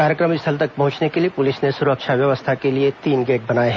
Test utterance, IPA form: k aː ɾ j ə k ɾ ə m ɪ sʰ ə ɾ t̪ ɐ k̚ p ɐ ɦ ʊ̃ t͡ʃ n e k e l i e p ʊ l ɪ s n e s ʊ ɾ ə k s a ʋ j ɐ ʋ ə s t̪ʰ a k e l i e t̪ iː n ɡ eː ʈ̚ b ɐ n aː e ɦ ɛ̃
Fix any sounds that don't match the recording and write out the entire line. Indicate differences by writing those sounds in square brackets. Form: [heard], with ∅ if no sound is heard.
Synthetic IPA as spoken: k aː ɾ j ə k ɾ ə m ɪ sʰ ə [l] t̪ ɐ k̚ p ɐ ɦ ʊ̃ t͡ʃ n e k e l i e p ʊ l ɪ s n e s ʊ ɾ ə k [ʃ] a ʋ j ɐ ʋ ə s t̪ʰ a k e l i e t̪ iː n ɡ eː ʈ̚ b ɐ n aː e ɦ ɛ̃